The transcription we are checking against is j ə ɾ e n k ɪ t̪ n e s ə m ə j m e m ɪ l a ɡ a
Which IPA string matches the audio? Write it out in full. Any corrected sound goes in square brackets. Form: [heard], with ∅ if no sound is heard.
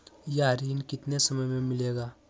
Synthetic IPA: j [a] ɾ [i] n k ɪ t̪ n e s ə m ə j m e m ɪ l [e] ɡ a